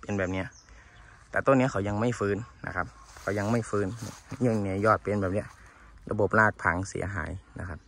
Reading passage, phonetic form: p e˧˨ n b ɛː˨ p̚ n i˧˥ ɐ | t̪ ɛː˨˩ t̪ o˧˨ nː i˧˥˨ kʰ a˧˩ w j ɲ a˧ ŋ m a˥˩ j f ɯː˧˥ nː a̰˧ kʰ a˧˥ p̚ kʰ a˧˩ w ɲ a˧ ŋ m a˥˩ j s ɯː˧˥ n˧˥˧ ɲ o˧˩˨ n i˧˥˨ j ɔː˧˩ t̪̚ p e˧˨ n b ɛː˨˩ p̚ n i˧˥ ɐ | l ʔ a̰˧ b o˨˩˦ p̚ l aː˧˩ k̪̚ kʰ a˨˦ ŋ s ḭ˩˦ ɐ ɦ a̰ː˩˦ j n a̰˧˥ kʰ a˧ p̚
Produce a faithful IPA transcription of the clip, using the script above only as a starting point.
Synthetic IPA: p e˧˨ n b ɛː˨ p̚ n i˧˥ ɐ | t̪ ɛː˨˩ t̪ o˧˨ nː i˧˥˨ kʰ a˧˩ w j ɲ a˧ ŋ m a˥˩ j f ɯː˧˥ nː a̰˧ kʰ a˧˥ p̚ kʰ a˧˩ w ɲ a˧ ŋ m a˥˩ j f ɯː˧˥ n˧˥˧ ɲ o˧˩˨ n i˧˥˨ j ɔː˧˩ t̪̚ p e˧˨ n b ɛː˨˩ p̚ n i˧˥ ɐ | l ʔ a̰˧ b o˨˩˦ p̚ l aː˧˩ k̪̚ pʰ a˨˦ ŋ s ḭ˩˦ ɐ ɦ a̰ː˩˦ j n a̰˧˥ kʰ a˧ p̚

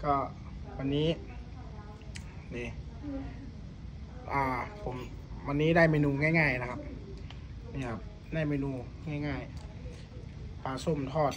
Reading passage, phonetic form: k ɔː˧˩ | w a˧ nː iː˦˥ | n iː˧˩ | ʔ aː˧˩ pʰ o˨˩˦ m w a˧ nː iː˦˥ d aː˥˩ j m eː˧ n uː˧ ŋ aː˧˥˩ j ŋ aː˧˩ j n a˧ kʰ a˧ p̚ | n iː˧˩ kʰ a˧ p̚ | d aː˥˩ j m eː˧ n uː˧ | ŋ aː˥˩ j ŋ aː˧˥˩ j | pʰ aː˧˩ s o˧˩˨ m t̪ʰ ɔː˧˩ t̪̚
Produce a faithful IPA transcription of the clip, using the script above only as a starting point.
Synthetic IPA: k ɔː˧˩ | w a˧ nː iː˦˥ | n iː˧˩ | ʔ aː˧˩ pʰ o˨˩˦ m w a˧ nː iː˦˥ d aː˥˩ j m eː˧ n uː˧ ŋ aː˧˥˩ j ŋ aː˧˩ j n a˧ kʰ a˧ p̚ | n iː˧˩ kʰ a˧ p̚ | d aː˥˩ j m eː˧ n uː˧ | ŋ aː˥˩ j ŋ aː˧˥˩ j | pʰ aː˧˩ s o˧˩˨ m t̪ʰ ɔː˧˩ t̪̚

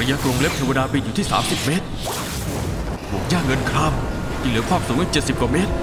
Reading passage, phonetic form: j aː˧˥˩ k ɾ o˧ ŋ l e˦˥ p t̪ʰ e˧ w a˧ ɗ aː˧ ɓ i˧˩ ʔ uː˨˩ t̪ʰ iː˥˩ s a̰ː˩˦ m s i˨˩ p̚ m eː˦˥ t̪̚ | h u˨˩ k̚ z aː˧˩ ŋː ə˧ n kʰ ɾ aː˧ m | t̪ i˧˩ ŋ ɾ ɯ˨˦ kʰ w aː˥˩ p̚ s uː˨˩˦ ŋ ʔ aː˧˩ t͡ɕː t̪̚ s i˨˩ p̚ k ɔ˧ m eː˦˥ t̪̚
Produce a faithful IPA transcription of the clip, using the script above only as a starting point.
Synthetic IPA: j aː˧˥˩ k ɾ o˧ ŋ l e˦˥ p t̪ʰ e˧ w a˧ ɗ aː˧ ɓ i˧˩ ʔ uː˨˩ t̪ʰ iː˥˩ s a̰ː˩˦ m s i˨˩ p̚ m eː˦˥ t̪̚ | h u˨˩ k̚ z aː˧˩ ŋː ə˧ n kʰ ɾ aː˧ m | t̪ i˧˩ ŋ l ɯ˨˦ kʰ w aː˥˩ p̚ s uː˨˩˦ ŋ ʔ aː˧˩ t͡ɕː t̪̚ s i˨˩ p̚ k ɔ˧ m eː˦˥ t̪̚

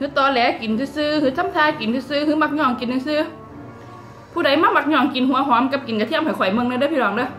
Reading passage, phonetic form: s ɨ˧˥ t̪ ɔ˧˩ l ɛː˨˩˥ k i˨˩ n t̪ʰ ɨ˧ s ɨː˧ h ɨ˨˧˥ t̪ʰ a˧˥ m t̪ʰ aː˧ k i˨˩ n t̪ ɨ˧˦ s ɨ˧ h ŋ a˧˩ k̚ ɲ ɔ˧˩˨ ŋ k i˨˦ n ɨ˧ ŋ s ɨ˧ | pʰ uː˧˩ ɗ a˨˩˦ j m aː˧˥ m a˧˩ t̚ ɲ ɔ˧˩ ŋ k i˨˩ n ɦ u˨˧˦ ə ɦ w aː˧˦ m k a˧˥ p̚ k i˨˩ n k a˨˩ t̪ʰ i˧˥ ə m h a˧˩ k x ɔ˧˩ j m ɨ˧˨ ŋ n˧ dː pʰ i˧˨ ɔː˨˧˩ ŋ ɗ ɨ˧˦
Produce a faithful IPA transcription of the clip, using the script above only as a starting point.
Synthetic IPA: h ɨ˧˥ t̪ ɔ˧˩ l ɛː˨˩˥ k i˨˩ n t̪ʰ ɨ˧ s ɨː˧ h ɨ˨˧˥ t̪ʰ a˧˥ m t̪ʰ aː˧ k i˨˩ n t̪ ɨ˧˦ s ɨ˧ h m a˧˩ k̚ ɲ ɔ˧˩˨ ŋ k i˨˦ n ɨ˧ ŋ s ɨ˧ | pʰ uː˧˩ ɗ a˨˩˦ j m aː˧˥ m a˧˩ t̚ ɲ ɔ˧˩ ŋ k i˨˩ n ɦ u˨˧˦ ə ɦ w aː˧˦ m k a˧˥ p̚ k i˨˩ n k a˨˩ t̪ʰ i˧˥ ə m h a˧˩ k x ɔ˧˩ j m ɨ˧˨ ŋ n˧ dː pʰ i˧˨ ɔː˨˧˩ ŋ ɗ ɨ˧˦

